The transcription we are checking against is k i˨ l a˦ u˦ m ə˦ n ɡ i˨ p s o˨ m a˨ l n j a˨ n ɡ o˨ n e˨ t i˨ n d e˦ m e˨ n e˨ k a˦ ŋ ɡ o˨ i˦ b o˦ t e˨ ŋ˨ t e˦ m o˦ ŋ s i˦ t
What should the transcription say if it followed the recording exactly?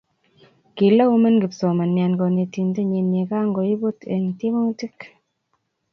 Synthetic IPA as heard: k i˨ l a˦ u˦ m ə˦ n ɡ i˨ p s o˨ m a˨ n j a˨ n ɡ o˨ n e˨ t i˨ n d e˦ ɲ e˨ n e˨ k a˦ ŋ ɡ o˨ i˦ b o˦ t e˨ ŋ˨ t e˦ m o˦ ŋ t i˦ k